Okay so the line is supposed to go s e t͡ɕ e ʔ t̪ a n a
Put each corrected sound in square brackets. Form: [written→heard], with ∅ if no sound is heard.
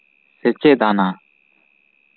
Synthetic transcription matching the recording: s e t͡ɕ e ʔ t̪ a n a